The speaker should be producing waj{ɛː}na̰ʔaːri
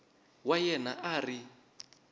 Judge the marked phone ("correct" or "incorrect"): incorrect